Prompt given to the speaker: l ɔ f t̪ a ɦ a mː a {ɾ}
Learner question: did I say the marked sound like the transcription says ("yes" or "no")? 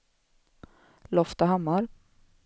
yes